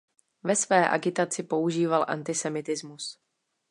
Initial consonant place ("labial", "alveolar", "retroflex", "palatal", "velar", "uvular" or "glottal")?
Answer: labial